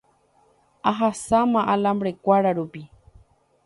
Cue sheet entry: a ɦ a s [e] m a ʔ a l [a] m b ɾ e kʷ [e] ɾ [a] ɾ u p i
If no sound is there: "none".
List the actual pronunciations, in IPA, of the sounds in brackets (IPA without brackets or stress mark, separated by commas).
a, a, a, a